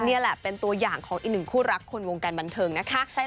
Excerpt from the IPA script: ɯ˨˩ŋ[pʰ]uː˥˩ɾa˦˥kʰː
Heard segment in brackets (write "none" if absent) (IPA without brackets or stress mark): kʰ